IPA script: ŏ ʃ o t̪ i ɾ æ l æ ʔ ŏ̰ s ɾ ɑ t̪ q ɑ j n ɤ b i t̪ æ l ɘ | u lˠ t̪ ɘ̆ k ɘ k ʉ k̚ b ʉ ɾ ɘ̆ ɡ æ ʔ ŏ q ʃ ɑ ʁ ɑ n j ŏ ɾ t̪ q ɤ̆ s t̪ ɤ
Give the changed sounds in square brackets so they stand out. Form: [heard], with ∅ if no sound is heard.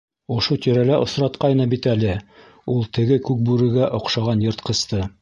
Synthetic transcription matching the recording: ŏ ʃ o t̪ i ɾ æ l æ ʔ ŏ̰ s ɾ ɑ t̪ q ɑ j n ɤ b i t̪ æ l ɘ | u lˠ t̪ ɘ̆ [ɡ] ɘ k ʉ k̚ b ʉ ɾ ɘ̆ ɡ æ ʔ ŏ q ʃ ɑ ʁ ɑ n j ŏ ɾ t̪ q ɤ̆ s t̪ ɤ